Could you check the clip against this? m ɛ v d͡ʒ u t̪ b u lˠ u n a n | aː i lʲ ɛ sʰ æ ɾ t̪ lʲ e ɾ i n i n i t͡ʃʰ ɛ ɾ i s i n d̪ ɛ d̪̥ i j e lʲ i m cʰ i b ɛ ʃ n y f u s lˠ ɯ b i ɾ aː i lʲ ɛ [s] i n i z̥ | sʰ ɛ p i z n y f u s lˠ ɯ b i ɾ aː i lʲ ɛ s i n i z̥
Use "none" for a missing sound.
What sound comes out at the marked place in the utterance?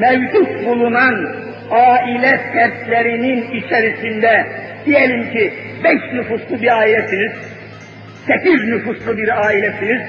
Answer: s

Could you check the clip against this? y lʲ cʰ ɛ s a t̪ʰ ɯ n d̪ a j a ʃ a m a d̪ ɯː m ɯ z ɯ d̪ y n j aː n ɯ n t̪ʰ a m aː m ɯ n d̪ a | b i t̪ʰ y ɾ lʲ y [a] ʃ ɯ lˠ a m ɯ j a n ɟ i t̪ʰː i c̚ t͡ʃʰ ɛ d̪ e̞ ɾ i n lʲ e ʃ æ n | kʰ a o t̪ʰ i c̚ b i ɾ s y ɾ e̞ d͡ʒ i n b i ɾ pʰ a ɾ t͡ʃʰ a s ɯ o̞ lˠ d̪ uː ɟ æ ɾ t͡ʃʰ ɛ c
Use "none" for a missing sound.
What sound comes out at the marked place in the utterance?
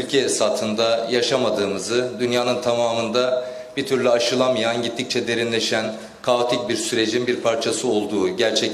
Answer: a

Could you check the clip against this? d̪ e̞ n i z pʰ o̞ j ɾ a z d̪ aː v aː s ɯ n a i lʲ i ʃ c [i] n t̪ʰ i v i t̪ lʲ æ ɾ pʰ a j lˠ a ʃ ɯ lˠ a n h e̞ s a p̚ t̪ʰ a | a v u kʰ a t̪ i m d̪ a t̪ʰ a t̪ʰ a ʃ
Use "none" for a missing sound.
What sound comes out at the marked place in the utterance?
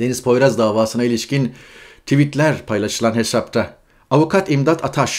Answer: i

